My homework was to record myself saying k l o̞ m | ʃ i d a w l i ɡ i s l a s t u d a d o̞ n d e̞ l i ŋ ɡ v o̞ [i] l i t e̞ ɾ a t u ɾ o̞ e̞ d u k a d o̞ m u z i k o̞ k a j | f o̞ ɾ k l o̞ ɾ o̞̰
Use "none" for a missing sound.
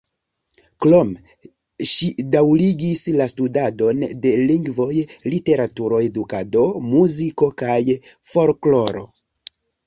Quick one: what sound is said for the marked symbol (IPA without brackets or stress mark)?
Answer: j